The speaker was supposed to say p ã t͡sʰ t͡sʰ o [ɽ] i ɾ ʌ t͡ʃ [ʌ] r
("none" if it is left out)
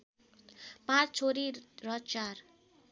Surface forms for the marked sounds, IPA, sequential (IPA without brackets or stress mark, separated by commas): ɾ, a